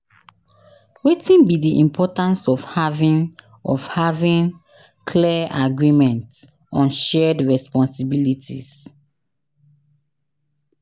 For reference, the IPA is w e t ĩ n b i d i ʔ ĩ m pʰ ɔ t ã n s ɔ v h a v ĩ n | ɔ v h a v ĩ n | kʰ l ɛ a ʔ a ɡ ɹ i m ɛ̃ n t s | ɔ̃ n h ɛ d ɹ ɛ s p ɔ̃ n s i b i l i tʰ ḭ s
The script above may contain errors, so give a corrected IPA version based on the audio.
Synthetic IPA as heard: w e t ĩ n b i d i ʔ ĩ m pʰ ɔ t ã n s ɔ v h a v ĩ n | ɔ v h a v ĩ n | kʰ l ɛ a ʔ a ɡ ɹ i m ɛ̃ n t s | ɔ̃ n ʃ ɛ d ɹ ɛ s p ɔ̃ n s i b i l i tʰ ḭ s

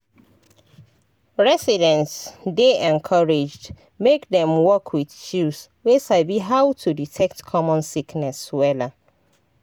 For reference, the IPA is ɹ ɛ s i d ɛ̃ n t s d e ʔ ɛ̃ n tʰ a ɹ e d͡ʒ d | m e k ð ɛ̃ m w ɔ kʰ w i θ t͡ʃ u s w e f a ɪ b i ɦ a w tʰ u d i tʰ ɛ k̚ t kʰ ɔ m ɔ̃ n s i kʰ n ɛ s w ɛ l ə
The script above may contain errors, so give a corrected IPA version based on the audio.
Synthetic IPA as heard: ɹ ɛ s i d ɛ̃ n t s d e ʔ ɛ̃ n kʰ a ɹ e d͡ʒ d | m e k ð ɛ̃ m w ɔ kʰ w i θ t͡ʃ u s w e s a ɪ b i ɦ a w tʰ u d i tʰ ɛ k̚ t kʰ ɔ m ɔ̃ n s i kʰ n ɛ s w ɛ l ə

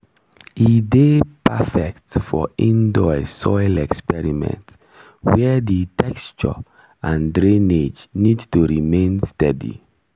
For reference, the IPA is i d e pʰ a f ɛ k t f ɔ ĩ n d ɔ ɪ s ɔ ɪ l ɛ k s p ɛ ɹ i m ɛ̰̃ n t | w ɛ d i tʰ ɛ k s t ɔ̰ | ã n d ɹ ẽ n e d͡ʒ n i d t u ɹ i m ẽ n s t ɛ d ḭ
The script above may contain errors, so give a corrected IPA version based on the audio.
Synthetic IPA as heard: i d e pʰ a f ɛ k t f ɔ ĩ n d ɔ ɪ s ɔ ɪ l ɛ k s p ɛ ɹ i m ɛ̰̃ n t | w ɛ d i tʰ ɛ k s t͡ʃ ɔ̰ | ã n d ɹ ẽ n e d͡ʒ n i d t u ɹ i m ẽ n s t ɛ d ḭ

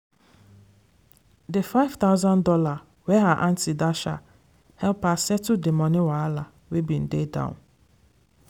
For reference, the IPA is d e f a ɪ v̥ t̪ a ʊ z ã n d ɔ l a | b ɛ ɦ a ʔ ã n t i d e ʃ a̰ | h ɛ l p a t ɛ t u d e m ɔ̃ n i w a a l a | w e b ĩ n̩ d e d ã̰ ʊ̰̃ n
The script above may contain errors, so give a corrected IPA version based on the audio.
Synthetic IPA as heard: d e f a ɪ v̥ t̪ a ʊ z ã n d ɔ l a | w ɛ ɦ a ʔ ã n t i d a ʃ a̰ | h ɛ l p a s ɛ t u d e m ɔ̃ n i w a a l a | w e b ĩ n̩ d e d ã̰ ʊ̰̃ n

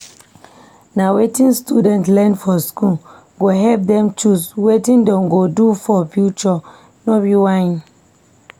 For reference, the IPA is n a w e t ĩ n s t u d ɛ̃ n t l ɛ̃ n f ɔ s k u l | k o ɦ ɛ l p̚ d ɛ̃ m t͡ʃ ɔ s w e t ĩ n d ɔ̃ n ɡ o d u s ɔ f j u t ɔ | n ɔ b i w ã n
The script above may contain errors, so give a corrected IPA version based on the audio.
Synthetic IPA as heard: n a w e t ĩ n s t u d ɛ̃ n t l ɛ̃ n f ɔ s k u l | ɡ o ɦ ɛ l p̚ d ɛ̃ m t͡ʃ u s w e t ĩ n d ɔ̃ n ɡ o d u f ɔ f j u t͡ʃ ɔ | n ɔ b i w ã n

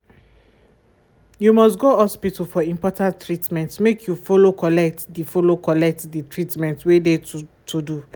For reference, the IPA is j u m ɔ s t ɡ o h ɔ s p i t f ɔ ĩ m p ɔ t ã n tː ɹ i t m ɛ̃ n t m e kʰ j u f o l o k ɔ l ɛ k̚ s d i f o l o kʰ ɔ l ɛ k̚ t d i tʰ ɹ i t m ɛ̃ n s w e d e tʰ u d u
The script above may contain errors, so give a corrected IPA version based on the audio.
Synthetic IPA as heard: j u m ɔ s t ɡ o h ɔ s p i t f ɔ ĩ m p ɔ t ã n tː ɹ i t m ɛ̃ n t m e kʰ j u f o l o k ɔ l ɛ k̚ t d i f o l o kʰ ɔ l ɛ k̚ t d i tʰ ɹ i t m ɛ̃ n t w e d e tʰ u d u

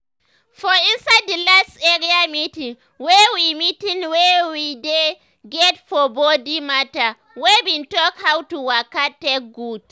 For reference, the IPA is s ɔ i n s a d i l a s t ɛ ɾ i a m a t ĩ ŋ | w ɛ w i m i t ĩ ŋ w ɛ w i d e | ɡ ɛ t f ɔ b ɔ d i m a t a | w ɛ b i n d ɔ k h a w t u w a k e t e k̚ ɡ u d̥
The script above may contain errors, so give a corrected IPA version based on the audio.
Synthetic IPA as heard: f ɔ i n s a d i l a s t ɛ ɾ i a m i t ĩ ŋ | w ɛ w i m i t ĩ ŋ w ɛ w i d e | ɡ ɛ t f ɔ b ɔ d i m a t a | w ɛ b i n t ɔ k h a w t u w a k a t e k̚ ɡ u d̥

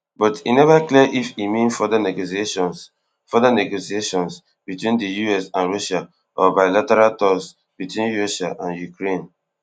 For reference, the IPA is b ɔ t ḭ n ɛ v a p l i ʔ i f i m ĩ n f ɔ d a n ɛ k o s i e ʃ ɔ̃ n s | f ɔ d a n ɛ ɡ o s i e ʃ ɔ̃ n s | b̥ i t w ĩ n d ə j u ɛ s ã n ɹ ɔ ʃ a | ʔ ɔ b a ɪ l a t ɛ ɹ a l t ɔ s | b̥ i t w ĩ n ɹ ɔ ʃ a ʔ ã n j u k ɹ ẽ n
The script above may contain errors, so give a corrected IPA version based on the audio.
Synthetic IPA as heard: b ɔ t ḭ n ɛ v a k l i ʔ i f i m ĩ n f ɔ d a n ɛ ɡ o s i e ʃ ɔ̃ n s | f ɔ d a n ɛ ɡ o s i e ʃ ɔ̃ n s | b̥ i t w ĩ n d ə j u ɛ s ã n ɹ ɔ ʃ a | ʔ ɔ b a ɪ l a t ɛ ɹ a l t ɔ s | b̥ i t w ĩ n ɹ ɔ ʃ a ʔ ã n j u k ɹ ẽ n

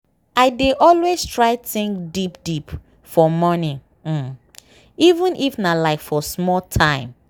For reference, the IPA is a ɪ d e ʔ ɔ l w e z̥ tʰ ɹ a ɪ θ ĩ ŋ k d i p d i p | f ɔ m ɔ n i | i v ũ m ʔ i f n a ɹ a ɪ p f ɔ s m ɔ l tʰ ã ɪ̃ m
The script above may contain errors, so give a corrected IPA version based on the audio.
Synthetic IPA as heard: a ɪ d e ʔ ɔ l w e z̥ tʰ ɹ a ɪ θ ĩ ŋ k d i p d i p | f ɔ m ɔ n i | i v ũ n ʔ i f n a l a ɪ k f ɔ s m ɔ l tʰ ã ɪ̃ m

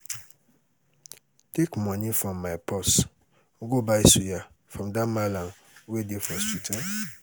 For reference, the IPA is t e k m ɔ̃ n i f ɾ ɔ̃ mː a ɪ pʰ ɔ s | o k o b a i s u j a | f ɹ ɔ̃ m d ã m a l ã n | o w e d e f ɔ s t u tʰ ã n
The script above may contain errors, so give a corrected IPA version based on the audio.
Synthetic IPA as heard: t e k m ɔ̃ n i f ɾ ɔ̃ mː a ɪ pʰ ɔ s | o ɡ o b a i s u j a | f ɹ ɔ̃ m d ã m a l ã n | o w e d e f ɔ s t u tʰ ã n

